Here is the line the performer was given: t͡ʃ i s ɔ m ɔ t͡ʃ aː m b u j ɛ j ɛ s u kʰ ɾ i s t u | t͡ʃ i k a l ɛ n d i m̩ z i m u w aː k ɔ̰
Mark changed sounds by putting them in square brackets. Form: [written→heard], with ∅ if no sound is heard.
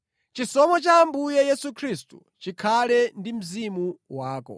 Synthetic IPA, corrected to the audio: t͡ʃ i s ɔ m ɔ t͡ʃ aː m b u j ɛ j ɛ s u kʰ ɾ i s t u | t͡ʃ i [k→kʰ] a l ɛ n d i m̩ z i m u w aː k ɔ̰